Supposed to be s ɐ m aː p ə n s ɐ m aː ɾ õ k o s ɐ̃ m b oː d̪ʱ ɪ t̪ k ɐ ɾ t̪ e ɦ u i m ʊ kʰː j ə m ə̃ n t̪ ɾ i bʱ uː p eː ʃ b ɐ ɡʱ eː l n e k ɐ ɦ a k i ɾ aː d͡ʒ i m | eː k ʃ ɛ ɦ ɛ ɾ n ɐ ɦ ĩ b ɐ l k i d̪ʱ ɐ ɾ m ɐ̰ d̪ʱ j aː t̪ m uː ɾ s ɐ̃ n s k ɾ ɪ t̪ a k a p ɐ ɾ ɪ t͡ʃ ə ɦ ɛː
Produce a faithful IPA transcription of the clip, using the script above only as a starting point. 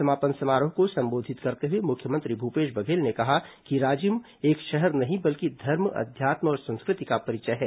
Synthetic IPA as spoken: s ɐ m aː p ə n s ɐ m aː ɾ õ k o s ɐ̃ m b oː d̪ʱ ɪ t̪ k ɐ ɾ t̪ e ɦ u e m ʊ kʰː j ə m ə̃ n t̪ ɾ i bʱ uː p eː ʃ b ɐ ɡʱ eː l n e k ɐ ɦ a k i ɾ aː d͡ʒ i m | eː k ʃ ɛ ɦ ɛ ɾ n ɐ ɦ ĩ b ɐ l k i d̪ʱ ɐ ɾ m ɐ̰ d̪ʱ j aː t̪ m ɔː ɾ s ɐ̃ n s k ɾ ɪ t̪ i k a p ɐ ɾ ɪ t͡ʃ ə ɦ ɛː

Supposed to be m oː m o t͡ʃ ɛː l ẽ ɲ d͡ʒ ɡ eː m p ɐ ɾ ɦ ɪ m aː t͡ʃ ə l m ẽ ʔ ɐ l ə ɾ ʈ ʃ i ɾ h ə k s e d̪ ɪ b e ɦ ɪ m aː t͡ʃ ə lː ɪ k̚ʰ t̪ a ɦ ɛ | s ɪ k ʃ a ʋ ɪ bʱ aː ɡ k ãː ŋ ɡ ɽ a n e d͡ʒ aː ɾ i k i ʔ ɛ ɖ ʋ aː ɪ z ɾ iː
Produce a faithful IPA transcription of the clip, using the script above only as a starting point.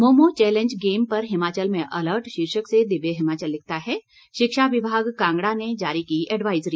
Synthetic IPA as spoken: m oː m o t͡ʃ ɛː l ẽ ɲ d͡ʒ ɡ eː m p ɐ ɾ ɦ ɪ m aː t͡ʃ ə l m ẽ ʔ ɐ l ə ɾ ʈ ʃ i ɾ ʃ ə k s e d̪ ɪ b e ɦ ɪ m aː t͡ʃ ə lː ɪ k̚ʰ t̪ a ɦ ɛ | ʃ ɪ k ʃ a ʋ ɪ bʱ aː ɡ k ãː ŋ ɡ ɽ a n e d͡ʒ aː ɾ i k i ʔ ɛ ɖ ʋ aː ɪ z ɾ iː

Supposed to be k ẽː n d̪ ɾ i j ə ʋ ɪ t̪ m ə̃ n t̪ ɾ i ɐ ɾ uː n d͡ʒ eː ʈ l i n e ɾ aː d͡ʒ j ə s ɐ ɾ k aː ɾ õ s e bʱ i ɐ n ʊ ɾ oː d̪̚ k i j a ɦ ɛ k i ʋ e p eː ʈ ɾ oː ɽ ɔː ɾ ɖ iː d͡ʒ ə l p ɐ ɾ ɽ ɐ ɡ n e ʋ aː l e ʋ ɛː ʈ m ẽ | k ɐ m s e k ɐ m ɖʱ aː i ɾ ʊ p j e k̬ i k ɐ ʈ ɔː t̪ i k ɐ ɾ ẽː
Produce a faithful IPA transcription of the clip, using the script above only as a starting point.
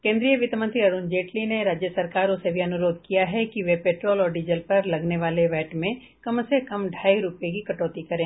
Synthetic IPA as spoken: k ẽː n d̪ ɾ i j ə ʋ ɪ t̪ m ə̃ n t̪ ɾ i ɐ ɾ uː n d͡ʒ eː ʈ l i n e ɾ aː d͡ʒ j ə s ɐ ɾ k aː ɾ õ s e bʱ i ɐ n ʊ ɾ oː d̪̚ k i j a ɦ ɛ k i ʋ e p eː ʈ ɾ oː l ɔː ɾ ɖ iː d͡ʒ ə l p ɐ ɾ l ɐ ɡ n e ʋ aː l e ʋ ɛː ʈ m ẽ | k ɐ m s e k ɐ m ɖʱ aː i ɾ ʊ p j e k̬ i k ɐ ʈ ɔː t̪ i k ɐ ɾ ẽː

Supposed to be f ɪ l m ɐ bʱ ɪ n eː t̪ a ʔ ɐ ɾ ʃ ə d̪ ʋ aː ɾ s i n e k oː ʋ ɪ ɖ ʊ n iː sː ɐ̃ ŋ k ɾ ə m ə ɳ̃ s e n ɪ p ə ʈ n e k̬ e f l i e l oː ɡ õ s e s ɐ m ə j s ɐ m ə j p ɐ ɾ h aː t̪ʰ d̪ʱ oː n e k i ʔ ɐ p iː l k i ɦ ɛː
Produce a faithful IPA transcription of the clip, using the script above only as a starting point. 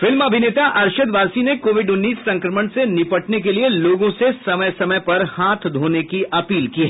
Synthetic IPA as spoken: f ɪ l m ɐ bʱ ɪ n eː t̪ a ʔ ɐ ɾ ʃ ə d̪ ʋ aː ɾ s i n e k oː ʋ ɪ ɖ ʊ nː iː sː ɐ̃ ŋ k ɾ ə m ə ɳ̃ s e n ɪ p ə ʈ n e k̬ e l i e l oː ɡ õ s e s ɐ m ə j s ɐ m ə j p ɐ ɾ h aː t̪ʰ d̪ʱ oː n e k i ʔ ɐ p iː l k i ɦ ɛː

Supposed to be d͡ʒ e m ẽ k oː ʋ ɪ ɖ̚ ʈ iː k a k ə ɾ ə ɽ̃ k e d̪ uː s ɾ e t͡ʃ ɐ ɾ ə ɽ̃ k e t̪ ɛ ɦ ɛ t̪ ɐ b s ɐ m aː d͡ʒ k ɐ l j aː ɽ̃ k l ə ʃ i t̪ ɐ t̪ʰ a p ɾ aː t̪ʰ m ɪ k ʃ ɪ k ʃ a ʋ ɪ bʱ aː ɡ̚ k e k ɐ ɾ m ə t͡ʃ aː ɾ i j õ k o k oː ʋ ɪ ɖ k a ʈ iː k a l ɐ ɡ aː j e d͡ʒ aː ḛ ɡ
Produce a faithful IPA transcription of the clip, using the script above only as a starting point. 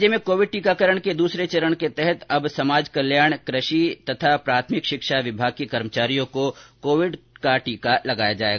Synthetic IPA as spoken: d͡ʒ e m ẽ k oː ʋ ɪ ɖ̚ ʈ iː k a k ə ɾ ə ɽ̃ k e d̪ uː s ɾ e t͡ʃ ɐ ɾ ə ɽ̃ k e t̪ ɛ ɦ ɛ t̪ ɐ b s ɐ m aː d͡ʒ k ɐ l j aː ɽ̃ k ɾ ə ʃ i t̪ ɐ t̪ʰ a p ɾ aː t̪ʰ m ɪ k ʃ ɪ k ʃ a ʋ ɪ bʱ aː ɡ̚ k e k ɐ ɾ m ə t͡ʃ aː ɾ i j õ k o k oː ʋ ɪ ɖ k a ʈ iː k a l ɐ ɡ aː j a d͡ʒ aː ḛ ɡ

